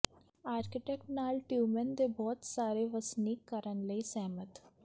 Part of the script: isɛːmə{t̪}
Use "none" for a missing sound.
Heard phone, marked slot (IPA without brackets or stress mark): t̪